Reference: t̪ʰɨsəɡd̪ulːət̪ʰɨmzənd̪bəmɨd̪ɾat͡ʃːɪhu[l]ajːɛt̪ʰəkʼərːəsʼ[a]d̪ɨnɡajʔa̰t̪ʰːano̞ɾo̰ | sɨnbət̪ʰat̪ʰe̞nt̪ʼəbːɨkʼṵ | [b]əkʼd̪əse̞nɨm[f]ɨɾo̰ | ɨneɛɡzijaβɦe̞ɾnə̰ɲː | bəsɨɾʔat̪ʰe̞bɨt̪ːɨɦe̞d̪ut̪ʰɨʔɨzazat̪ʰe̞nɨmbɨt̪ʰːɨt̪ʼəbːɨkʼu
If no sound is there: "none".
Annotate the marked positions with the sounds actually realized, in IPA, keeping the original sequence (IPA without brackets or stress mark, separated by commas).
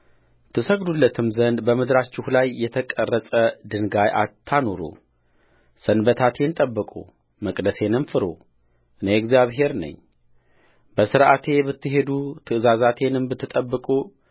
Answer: l, ə, m, f